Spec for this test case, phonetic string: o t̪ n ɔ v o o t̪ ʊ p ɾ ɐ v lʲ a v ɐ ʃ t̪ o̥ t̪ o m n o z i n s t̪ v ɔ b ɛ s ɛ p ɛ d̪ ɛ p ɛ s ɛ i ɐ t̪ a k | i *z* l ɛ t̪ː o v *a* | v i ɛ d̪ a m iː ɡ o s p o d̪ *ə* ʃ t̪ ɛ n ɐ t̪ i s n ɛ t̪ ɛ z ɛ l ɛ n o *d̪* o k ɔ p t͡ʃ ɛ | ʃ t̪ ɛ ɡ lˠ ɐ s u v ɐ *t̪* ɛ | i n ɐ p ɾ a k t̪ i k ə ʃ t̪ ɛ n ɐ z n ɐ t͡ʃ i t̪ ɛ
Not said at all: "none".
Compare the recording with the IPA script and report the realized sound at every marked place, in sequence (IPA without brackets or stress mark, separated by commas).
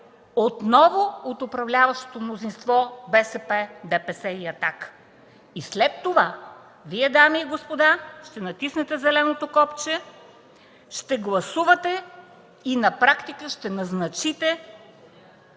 s, a, a, t̪, t̪